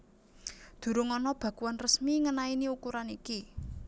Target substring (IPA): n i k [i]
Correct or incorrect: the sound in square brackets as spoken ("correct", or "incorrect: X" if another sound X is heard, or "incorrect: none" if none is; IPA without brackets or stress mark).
correct